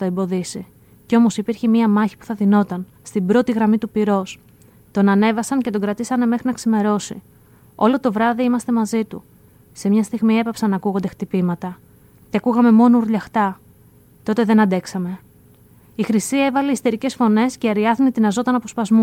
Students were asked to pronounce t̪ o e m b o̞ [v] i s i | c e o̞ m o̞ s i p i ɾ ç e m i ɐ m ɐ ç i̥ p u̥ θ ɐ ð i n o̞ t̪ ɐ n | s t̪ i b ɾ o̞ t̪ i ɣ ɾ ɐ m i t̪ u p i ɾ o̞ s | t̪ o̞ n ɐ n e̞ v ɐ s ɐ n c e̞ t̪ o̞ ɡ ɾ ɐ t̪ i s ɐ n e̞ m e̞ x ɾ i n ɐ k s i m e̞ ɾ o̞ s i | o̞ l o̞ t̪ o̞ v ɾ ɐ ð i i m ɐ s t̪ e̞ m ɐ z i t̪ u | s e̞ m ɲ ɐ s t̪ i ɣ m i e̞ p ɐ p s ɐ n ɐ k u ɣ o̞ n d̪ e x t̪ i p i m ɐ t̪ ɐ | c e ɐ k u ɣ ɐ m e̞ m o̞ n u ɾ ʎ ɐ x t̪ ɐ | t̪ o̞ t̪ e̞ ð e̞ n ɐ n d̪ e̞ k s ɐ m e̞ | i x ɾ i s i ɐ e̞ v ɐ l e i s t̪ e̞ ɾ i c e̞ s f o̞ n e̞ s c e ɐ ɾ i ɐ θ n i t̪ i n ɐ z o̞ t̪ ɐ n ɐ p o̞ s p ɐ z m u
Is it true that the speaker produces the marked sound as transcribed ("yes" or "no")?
no